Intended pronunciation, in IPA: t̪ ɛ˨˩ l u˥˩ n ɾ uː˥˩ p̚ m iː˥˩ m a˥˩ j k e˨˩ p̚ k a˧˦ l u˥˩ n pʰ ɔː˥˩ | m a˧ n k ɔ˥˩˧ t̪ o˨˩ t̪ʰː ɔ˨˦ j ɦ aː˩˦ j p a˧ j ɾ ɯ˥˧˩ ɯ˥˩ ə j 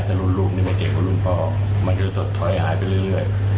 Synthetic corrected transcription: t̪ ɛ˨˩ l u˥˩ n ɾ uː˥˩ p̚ n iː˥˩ m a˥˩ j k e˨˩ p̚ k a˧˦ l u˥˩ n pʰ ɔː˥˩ | m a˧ n k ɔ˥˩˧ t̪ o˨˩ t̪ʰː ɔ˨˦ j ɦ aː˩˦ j p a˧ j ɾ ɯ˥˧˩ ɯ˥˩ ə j

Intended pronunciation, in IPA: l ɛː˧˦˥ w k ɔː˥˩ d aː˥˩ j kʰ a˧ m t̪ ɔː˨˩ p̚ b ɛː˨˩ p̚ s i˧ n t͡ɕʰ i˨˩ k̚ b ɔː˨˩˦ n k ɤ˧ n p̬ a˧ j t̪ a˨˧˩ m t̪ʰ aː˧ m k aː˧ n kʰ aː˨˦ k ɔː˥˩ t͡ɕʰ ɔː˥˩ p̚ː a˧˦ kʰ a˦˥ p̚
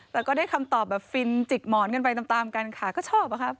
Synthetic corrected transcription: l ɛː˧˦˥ w k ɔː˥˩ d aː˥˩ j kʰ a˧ m t̪ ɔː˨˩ p̚ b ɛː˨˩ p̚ f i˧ n t͡ɕ i˨˩ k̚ m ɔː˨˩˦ n k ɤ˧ n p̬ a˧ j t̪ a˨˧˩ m t̪ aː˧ m k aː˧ n kʰ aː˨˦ k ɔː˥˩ t͡ɕʰ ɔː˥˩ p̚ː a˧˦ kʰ a˦˥ p̚

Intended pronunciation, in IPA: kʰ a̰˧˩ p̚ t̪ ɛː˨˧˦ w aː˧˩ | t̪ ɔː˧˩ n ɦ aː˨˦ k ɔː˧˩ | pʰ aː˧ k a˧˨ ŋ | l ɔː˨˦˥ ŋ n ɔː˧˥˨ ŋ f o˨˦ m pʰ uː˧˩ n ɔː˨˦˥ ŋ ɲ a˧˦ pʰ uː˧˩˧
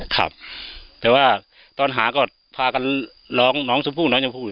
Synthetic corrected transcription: kʰ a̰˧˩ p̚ t̪ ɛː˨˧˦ w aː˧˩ | t̪ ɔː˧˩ n ɦ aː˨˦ k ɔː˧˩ | pʰ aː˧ k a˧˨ n | l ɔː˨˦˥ ŋ n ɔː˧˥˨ ŋ s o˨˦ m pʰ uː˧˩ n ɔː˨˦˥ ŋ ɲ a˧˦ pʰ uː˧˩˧

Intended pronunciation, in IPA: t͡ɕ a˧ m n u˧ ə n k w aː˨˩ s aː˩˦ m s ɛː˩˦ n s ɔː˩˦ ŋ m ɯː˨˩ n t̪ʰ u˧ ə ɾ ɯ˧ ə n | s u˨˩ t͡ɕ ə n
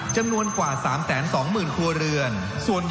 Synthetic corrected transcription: t͡ɕ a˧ m n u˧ ə n k w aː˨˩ s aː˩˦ m s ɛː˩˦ n s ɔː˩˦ ŋ m ɯː˨˩ n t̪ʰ u˧ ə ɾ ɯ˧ ə n | s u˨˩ ə n

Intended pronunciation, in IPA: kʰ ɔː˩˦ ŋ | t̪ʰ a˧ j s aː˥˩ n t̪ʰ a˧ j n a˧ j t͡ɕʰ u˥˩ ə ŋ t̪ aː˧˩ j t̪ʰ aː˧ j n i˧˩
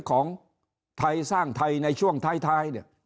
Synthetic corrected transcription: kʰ ɔː˩˦ ŋ | t̪ʰ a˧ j s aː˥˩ ŋ t̪ʰ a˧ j n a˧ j t͡ɕʰ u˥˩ ə ŋ t̪ʰ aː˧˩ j t̪ʰ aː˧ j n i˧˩

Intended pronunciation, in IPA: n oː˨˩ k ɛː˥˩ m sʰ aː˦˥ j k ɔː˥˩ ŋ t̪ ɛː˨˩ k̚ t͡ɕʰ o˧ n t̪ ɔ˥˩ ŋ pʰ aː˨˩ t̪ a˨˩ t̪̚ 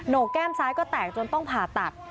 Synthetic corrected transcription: n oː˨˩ k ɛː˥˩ m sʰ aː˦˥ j k ɔː˥˩ t̪ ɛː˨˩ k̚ t͡ɕ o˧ n t̪ ɔ˥˩ ŋ pʰ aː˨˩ t̪ a˨˩ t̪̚

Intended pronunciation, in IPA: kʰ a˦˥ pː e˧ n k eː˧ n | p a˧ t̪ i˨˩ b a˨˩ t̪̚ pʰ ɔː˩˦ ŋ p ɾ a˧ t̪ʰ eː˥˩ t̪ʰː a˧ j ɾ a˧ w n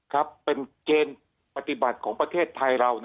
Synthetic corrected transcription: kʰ a˦˥ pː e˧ n k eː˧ n | p a˧ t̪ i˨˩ b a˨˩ t̪̚ kʰ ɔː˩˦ ŋ p ɾ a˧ t̪ʰ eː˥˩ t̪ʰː a˧ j ɾ a˧ w n

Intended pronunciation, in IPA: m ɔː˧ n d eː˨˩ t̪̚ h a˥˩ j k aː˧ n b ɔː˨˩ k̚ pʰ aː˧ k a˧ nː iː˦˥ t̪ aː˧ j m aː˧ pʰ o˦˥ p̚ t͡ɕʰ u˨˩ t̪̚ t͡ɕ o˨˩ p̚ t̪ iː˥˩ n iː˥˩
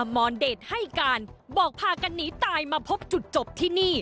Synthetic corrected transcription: m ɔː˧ n d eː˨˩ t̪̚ h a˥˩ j k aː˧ n b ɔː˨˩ k̚ pʰ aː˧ k a˧ nː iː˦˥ t̪ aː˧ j m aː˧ pʰ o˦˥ p̚ t͡ɕ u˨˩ t̪̚ t͡ɕ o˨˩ p̚ t̪ʰ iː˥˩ n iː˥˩

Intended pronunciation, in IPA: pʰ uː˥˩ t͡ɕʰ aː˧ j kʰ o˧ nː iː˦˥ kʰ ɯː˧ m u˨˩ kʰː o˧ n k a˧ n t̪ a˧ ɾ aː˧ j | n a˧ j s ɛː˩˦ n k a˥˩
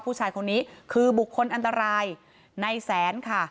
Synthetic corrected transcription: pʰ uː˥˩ t͡ɕʰ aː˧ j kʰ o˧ nː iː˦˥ kʰ ɯː˧ b u˨˩ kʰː o˧ n ʔ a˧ n t̪ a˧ ɾ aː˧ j | n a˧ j s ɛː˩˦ n kʰ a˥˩

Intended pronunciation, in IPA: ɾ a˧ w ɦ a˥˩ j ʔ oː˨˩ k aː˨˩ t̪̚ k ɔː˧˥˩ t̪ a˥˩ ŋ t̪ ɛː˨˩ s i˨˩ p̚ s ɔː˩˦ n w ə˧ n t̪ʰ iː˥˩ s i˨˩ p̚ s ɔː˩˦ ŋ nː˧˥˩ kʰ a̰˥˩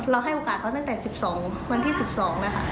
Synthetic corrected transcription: ɾ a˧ w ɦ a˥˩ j ʔ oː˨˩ k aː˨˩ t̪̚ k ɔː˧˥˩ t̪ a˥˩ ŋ t̪ ɛː˨˩ s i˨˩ p̚ s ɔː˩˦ ŋ w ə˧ n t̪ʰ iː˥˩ s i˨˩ p̚ s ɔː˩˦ ŋ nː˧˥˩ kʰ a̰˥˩

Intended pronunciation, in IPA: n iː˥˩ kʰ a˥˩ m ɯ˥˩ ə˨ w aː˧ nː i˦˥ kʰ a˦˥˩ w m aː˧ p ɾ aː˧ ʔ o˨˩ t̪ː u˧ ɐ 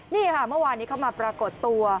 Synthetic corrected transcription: n iː˥˩ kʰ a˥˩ m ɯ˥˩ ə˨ w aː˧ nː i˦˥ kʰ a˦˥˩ w m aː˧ p ɾ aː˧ k o˨˩ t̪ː u˧ ɐ

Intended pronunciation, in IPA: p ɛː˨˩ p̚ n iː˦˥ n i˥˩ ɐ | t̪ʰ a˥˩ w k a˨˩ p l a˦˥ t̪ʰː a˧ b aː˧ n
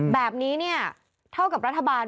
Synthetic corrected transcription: b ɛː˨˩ p̚ n iː˦˥ n i˥˩ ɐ | t̪ʰ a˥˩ w k a˨˩ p ɾ a˦˥ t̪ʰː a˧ b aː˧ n

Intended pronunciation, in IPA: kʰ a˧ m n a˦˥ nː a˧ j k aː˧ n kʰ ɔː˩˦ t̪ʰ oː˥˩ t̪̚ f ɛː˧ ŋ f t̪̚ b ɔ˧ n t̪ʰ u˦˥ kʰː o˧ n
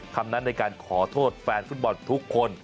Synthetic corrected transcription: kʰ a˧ m n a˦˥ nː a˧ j k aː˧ n kʰ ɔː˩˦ t̪ʰ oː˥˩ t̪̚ f ɛː˧ n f t̪̚ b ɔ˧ n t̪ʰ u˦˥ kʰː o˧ n

